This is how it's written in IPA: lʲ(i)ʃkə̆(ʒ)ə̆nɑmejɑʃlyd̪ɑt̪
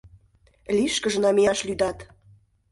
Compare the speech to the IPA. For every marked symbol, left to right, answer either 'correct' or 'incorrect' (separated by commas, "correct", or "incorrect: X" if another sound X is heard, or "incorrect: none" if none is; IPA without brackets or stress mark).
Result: correct, correct